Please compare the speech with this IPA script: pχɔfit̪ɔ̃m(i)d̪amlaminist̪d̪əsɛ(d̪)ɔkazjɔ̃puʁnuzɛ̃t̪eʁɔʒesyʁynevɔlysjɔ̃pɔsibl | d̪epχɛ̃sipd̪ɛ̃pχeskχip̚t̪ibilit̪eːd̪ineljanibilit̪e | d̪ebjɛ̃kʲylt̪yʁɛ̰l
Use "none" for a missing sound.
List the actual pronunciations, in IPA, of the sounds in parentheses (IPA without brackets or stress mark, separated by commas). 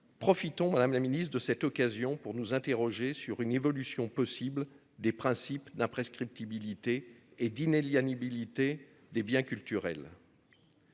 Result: a, t̪